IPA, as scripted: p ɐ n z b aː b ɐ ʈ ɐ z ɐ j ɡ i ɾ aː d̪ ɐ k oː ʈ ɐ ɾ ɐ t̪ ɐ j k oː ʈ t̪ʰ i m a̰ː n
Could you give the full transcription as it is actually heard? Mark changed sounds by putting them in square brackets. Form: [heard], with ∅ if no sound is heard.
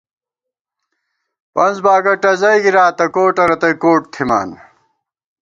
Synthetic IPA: p ɐ n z b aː [ɡ] ɐ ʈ ɐ z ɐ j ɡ i ɾ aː [t̪] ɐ k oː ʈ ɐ ɾ ɐ t̪ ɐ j k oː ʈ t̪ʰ i m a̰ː n